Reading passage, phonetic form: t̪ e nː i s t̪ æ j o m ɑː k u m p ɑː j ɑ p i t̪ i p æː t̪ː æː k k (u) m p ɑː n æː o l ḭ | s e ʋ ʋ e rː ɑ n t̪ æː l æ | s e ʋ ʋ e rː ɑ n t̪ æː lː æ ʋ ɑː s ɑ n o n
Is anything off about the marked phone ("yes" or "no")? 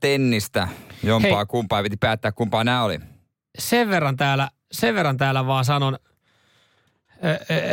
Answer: no